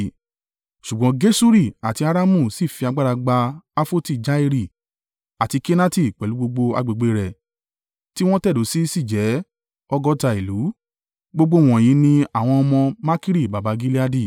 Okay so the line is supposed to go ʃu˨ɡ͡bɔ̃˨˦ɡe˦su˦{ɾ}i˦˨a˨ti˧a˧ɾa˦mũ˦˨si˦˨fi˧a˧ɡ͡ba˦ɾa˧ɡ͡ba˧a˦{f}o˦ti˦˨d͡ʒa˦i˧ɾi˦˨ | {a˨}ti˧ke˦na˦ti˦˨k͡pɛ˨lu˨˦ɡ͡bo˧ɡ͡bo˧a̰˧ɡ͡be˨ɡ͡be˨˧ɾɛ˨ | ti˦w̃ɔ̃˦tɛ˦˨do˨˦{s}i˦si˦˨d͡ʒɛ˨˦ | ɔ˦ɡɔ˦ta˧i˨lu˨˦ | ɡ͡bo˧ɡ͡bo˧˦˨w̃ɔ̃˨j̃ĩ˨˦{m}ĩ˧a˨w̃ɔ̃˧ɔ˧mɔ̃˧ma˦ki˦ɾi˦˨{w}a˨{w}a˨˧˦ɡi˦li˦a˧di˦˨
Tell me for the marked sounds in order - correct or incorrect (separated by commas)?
correct, correct, correct, correct, incorrect, incorrect, incorrect